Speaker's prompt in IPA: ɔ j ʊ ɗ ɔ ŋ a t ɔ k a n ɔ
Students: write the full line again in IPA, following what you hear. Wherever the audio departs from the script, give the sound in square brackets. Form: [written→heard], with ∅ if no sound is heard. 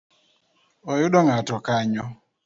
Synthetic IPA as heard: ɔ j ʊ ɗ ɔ ŋ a t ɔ k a [n→ɲ] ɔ